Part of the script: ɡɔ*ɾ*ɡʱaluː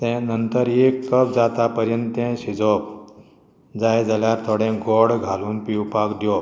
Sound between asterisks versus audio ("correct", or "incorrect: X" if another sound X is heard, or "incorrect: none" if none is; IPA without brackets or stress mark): incorrect: ɽ